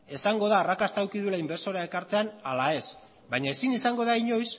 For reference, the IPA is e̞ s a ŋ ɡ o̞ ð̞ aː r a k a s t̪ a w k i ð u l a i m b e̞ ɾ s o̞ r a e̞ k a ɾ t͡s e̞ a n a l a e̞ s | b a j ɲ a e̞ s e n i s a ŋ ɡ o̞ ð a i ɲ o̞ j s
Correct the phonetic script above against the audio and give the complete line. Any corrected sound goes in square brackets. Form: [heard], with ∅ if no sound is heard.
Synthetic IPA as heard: e̞ s a ŋ ɡ o̞ ð̞ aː r a k a s t̪ a w k i ð u l a i m b e̞ ɾ s o̞ [ɾ] a e̞ k a ɾ t͡s e̞ a n a l a e̞ s | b a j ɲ a e̞ s [i] n i s a ŋ ɡ o̞ ð a i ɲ o̞ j s

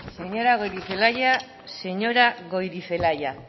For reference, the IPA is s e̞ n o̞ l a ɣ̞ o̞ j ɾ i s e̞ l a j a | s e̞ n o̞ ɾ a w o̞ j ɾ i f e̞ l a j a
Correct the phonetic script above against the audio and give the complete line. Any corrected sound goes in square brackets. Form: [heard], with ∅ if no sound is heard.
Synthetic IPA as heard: s e̞ [ɲ] o̞ [ɾ] a ɣ̞ o̞ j ɾ i [f] e̞ l a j a | s e̞ [ɲ] o̞ ɾ a [ɣ] o̞ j ɾ i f e̞ l a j a

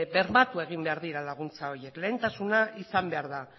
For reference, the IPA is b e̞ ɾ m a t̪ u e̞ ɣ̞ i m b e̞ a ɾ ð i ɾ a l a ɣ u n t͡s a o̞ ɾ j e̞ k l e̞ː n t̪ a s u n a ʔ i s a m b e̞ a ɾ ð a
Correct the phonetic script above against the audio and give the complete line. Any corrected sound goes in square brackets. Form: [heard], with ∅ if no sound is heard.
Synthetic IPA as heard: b e̞ ɾ m a t̪ u e̞ ɣ̞ i m b e̞ a ɾ ð i ɾ a l a ɣ u n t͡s a o̞ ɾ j e̞ k l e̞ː n t̪ a s u n a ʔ i s a m b e̞ a ɾ ð a

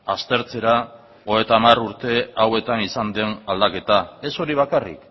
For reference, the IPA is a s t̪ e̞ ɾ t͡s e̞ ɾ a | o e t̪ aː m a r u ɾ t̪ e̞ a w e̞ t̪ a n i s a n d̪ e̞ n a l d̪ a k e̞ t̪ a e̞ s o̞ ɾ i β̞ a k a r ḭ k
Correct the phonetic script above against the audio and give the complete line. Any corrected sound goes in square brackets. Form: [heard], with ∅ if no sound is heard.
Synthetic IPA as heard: a s t̪ e̞ ɾ t͡s e̞ ɾ a | o e t̪ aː m a r u ɾ t̪ e̞ a w e̞ t̪ a n i s a n d̪ e̞ n a l d̪ a k e̞ t̪ a e̞ s o̞ ɾ i β̞ a k a r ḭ k

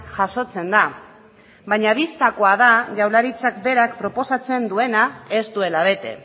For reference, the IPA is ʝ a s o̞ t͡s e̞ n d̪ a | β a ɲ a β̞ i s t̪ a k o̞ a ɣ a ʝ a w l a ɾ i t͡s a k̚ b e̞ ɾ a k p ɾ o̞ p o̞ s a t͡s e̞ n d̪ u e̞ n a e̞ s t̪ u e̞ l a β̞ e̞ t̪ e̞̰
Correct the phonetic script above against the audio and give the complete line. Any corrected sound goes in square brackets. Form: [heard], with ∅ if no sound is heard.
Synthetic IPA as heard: ʝ a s o̞ t͡s e̞ n d̪ a | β a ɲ a β̞ i s t̪ a k o̞ a [ð] a ʝ a w l a ɾ i t͡s a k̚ b e̞ ɾ a k p ɾ o̞ p o̞ s a t͡s e̞ n d̪ u e̞ n a e̞ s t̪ u e̞ l a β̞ e̞ t̪ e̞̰

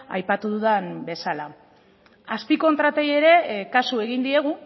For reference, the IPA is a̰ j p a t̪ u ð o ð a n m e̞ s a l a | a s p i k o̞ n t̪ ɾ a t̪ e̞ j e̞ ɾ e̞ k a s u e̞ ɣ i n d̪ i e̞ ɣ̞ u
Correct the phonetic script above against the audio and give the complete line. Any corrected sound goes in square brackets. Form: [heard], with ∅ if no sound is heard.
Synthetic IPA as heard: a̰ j p a t̪ u ð [u] ð a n [b] e̞ s a l a | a s p i k o̞ n t̪ ɾ a t̪ e̞ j e̞ ɾ e̞ k a s u e̞ ɣ i n d̪ i e̞ ɣ̞ u

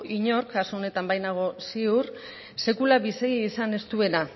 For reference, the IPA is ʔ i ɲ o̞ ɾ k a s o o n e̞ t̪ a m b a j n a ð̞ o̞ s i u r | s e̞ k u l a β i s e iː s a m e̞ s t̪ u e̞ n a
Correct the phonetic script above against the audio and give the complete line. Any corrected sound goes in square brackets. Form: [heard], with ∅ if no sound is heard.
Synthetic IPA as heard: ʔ i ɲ o̞ ɾ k a s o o n e̞ t̪ a m b a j n a [ɣ̞] o̞ s i u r | s e̞ k u l a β i s e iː s a [n] e̞ s t̪ u e̞ n a

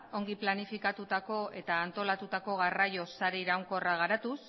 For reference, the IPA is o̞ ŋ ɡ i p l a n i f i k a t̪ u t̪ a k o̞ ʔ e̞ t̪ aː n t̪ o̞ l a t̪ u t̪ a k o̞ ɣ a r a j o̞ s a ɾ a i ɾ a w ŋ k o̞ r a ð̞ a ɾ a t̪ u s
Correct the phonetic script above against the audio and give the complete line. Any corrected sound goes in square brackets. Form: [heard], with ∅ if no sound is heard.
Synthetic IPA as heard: o̞ ŋ ɡ i p l a n i f i k a t̪ u t̪ a k o̞ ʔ e̞ t̪ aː n t̪ o̞ l a t̪ u t̪ a k o̞ ɣ a r a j o̞ s a ɾ [e] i ɾ a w ŋ k o̞ r a [ɣ̞] a ɾ a t̪ u s

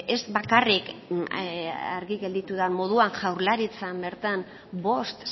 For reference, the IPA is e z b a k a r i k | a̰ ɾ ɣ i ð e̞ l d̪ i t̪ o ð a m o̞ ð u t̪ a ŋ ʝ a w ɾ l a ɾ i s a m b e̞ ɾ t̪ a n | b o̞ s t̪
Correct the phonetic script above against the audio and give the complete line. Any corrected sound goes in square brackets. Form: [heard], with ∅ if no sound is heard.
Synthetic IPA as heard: e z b a k a r i k | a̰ ɾ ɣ i [ɣ] e̞ l d̪ i t̪ [u] ð a m o̞ ð u [∅] a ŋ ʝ a w ɾ l a ɾ i [t͡s] a m b e̞ ɾ t̪ a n | b o̞ s t̪

